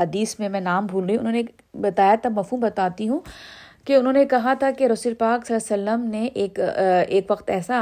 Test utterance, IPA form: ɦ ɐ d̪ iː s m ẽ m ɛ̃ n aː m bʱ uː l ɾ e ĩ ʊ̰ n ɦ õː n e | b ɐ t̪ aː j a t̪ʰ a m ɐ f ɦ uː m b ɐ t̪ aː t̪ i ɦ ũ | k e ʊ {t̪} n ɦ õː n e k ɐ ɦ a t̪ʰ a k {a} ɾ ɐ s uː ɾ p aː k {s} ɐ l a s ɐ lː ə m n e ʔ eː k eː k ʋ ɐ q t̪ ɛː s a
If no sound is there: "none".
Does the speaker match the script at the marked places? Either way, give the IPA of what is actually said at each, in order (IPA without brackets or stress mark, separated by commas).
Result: none, e, s